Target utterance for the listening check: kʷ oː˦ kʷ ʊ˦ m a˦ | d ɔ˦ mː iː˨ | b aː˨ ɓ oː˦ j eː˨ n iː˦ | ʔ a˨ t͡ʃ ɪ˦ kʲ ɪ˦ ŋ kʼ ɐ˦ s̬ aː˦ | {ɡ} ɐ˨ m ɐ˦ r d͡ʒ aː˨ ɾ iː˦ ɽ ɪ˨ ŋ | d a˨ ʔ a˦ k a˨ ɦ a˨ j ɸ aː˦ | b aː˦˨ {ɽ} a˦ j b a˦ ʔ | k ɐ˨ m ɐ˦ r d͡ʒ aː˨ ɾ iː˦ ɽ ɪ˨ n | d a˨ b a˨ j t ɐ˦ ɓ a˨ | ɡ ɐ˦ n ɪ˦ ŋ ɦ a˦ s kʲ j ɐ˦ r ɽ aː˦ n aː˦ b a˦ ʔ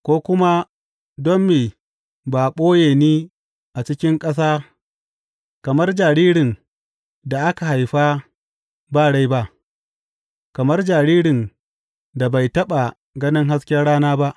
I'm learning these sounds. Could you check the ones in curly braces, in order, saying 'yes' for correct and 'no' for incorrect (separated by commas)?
no, yes